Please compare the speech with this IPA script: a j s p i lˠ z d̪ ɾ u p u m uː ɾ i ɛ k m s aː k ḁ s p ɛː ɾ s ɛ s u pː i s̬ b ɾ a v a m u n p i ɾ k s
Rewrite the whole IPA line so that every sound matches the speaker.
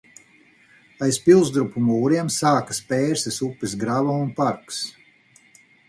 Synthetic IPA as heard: a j s p i lˠ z d̪ ɾ u p u m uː ɾ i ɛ m s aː k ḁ s p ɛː ɾ s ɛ s u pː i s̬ ɡ ɾ a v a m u n p a ɾ k s